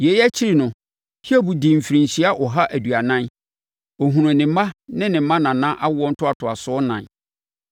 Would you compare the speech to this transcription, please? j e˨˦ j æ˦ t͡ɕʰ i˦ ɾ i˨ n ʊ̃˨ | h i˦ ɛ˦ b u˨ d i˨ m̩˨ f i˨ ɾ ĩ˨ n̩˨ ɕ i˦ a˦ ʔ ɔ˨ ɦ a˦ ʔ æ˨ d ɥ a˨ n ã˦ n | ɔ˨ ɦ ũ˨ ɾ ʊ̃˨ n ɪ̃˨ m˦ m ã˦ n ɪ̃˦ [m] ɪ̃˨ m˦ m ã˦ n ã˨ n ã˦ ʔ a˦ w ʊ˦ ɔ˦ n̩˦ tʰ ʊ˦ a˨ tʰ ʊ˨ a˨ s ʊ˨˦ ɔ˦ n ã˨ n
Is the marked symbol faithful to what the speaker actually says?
no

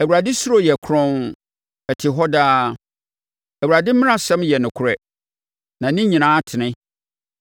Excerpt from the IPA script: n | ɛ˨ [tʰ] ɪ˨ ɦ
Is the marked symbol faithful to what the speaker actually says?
yes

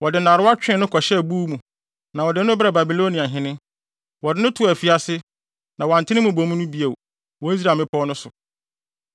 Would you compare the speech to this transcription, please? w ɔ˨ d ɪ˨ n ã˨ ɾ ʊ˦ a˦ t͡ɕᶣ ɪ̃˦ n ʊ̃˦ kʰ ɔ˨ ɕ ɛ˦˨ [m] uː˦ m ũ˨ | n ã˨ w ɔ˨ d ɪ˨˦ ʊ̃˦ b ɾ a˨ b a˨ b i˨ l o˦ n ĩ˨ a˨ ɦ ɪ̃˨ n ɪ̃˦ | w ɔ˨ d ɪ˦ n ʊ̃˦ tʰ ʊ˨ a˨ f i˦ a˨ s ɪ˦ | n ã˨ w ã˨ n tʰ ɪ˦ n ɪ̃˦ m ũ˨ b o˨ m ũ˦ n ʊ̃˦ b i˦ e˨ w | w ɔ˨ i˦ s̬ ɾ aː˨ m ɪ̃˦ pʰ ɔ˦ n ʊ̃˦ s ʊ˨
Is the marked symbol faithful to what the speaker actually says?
no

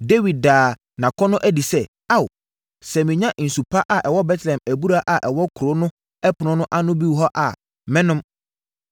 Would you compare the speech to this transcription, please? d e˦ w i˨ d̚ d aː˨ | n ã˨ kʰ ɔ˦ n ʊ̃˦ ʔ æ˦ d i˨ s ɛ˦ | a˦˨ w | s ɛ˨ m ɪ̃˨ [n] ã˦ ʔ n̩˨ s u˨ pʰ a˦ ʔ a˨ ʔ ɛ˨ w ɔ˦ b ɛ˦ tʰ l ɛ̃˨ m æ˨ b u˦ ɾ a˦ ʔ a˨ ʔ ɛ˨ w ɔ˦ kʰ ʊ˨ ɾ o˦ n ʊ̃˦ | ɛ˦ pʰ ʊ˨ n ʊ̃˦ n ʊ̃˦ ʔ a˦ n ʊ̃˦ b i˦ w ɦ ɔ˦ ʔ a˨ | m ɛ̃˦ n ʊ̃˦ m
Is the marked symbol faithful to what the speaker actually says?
no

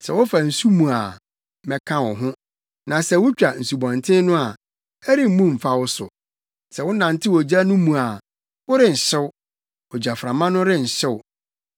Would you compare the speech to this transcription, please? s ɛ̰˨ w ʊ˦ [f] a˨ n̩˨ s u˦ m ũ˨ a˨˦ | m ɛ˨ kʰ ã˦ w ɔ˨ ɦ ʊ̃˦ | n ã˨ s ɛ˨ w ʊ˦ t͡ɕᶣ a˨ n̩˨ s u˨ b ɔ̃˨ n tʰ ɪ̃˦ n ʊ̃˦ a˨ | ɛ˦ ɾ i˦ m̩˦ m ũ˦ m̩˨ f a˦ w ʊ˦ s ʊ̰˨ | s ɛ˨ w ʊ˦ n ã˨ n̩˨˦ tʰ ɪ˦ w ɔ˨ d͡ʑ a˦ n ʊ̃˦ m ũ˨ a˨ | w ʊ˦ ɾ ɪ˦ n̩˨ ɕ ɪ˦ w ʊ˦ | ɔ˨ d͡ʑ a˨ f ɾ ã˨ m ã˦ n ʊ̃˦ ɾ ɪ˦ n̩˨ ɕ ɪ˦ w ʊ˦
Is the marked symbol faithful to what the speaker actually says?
yes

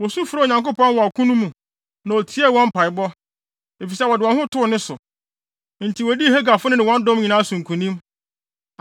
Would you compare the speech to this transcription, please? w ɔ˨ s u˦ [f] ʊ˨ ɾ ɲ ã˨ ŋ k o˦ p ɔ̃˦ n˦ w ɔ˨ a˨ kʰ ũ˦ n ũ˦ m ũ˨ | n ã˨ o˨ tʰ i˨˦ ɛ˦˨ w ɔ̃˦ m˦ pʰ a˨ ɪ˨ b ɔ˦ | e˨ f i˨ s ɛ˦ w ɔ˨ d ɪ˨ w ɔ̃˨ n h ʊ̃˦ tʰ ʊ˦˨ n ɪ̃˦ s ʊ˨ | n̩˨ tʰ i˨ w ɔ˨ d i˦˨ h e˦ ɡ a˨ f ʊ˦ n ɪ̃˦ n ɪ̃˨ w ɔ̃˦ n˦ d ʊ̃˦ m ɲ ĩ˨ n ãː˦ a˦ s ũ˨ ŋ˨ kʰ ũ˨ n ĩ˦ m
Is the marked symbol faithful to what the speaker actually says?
yes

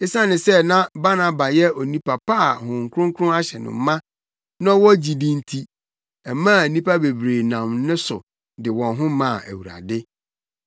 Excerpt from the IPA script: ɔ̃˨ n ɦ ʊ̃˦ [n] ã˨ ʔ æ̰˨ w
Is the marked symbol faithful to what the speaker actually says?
no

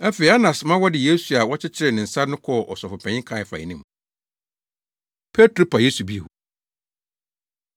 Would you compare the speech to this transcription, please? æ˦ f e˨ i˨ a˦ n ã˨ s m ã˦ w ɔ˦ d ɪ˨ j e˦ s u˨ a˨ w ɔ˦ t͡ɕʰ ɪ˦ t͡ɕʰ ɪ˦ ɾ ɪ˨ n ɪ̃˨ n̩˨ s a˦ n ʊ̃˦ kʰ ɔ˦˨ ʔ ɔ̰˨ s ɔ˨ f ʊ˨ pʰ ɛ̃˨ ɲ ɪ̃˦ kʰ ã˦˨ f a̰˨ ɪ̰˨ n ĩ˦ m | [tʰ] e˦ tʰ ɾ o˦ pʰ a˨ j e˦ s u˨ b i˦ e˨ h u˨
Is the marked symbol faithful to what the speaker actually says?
no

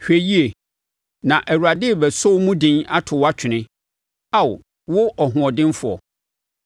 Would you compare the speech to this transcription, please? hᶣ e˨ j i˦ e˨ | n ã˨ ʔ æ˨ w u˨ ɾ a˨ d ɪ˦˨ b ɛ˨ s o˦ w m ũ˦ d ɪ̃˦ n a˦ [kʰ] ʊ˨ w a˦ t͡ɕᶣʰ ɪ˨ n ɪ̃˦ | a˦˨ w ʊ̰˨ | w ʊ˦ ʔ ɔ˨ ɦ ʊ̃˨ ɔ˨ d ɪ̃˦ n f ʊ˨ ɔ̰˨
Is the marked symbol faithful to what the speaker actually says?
no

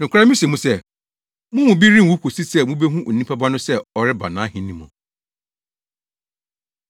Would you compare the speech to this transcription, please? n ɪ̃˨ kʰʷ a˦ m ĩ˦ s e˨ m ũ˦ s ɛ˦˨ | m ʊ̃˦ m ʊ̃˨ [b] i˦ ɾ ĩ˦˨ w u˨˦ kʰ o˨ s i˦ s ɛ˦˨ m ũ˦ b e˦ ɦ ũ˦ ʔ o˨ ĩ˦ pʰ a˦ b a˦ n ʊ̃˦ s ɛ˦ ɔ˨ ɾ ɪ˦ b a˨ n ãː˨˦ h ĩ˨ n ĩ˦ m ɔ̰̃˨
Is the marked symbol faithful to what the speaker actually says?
yes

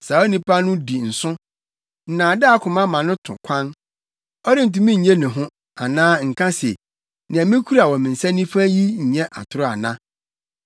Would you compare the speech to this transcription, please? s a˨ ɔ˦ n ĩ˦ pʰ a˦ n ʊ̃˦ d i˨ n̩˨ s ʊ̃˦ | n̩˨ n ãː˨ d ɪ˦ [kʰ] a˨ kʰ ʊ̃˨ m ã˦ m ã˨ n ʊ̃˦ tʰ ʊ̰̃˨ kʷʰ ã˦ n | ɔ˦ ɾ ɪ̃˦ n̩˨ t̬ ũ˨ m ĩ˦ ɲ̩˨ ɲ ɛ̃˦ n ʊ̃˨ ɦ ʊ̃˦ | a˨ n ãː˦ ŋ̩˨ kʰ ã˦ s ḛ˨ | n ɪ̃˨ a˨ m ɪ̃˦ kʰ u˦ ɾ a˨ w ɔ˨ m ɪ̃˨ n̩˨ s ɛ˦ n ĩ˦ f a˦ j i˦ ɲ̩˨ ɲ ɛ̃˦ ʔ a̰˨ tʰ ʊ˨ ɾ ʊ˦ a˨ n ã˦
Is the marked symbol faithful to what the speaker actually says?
no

